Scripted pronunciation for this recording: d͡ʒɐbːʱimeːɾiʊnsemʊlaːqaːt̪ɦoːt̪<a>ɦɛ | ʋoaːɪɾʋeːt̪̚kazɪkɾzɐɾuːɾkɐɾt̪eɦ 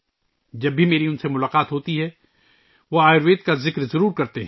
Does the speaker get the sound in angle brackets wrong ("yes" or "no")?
yes